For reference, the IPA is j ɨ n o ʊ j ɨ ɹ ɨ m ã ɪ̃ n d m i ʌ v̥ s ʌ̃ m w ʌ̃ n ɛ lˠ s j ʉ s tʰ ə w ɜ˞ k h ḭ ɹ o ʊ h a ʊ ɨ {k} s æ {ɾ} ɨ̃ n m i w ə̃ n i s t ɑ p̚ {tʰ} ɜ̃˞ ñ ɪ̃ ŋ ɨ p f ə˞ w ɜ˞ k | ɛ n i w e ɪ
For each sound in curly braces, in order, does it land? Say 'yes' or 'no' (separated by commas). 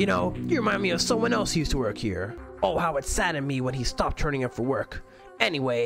no, yes, yes